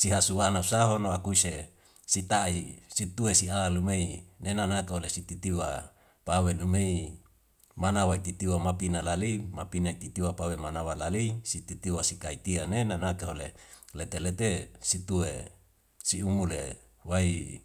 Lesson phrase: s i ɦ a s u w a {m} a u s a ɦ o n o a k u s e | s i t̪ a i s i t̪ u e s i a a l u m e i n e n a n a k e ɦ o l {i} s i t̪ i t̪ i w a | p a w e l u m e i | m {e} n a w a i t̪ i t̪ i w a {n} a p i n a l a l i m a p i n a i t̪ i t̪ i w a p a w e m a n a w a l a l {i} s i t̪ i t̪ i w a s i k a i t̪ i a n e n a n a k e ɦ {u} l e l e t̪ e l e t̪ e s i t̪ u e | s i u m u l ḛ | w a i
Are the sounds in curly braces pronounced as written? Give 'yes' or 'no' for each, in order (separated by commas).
no, no, no, no, yes, no